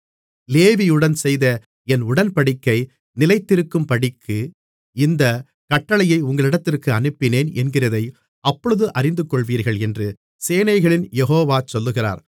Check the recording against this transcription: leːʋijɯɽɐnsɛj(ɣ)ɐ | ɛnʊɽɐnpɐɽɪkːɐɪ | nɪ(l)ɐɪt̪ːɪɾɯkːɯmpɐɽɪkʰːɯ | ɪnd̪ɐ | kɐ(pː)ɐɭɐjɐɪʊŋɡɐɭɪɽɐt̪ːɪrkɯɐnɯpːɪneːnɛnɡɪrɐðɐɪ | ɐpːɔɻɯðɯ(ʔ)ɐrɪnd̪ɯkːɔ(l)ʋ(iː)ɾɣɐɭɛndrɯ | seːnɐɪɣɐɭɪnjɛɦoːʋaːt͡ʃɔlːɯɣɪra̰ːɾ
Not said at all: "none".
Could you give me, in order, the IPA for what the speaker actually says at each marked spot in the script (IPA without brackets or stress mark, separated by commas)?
ð, l, ʈː, ʔ, ɭ, iː